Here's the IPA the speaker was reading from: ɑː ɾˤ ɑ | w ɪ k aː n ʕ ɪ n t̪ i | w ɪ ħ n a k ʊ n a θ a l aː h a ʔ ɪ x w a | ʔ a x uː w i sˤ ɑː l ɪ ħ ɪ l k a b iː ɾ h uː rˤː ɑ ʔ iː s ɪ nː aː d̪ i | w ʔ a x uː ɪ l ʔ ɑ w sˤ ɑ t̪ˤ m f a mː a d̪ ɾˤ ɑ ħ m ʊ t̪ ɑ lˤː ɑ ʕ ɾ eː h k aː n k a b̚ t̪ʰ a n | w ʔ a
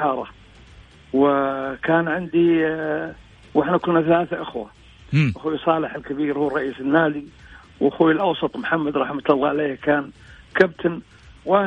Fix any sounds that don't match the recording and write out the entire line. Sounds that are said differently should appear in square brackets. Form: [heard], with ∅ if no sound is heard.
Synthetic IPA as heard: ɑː ɾˤ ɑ | w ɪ k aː n ʕ ɪ n [d̪] i | w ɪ ħ n a k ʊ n a θ a l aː [θ] a ʔ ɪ x w a | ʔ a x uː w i sˤ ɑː l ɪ ħ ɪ l k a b iː ɾ h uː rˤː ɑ ʔ iː s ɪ nː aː d̪ i | w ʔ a x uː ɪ l ʔ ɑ w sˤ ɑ t̪ˤ m [ħ] a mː a d̪ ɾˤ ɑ ħ m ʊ t̪ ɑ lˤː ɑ ʕ [l] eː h k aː n k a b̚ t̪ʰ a n | w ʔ a